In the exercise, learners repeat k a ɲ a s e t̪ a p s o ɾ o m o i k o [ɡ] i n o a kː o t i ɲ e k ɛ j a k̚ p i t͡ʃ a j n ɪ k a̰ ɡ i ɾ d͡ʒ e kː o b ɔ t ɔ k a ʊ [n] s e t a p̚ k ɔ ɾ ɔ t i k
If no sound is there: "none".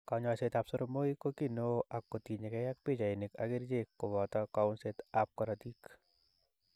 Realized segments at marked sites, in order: k, n

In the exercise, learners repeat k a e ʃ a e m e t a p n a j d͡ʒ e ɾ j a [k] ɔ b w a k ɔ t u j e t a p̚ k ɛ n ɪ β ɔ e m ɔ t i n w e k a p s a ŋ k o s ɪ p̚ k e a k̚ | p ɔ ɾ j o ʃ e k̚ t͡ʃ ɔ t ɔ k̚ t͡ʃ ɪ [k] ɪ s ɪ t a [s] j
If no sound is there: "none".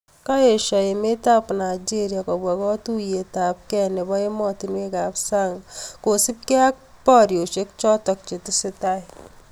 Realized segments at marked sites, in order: k, t, none

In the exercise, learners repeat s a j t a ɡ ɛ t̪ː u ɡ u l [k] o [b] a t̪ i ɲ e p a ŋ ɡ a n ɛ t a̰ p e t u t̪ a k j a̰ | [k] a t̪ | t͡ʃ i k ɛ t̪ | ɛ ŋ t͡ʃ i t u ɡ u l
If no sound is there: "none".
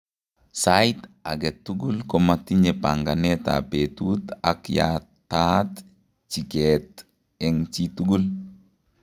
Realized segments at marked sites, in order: k, m, t

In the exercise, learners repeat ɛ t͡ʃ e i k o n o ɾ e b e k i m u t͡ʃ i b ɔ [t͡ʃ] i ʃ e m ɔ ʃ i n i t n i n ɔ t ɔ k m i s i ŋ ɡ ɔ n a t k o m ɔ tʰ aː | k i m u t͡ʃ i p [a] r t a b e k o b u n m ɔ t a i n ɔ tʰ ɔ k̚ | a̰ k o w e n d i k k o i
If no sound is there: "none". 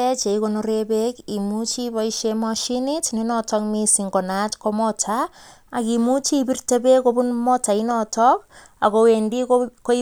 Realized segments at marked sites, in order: none, i

